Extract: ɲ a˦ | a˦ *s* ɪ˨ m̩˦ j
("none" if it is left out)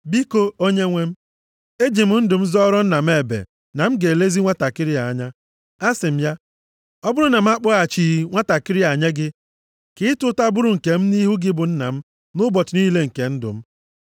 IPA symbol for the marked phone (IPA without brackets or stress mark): s